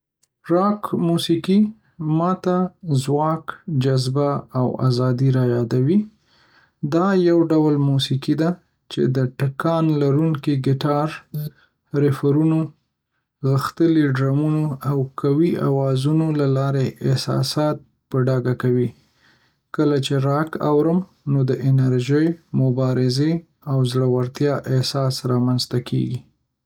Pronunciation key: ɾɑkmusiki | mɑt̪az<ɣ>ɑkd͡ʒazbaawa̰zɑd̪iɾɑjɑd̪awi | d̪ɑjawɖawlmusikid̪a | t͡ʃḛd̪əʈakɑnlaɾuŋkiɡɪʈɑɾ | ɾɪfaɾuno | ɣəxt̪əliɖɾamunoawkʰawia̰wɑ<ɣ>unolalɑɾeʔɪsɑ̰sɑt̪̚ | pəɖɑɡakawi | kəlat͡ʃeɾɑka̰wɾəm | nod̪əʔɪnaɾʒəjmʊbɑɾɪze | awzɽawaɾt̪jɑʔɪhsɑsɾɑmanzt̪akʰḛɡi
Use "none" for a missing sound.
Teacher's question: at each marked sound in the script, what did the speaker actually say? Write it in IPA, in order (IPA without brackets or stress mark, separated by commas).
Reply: w, z